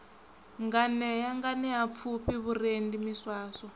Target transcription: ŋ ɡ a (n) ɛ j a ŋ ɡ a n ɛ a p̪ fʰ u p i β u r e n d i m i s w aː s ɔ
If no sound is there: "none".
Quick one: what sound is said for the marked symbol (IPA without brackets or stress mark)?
n